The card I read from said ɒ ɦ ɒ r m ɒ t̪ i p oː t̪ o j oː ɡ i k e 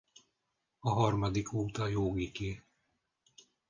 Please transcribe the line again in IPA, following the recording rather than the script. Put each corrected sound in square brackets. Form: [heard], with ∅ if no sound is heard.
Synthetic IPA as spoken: ɒ ɦ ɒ r m ɒ [d̪] i [k] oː t̪ [ɒ] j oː ɡ i k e